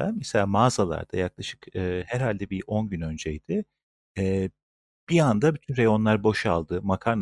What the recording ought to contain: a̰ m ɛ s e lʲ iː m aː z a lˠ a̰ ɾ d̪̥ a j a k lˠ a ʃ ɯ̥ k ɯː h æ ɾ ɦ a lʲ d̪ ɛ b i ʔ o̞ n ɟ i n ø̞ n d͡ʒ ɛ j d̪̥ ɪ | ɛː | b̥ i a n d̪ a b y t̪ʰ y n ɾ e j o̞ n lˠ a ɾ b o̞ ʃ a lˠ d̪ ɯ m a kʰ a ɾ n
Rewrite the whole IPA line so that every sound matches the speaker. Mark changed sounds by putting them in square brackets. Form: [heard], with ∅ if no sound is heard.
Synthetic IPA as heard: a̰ m ɛ s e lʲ [aː] m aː z a lˠ a̰ ɾ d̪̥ a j a k lˠ a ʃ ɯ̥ k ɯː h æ ɾ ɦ a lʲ d̪ ɛ b i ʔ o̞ n ɟ [y] n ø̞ n d͡ʒ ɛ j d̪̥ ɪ | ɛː | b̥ i a n d̪ a b y t̪ʰ y n ɾ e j o̞ n lˠ a ɾ b o̞ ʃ a lˠ d̪ ɯ m a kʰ a ɾ n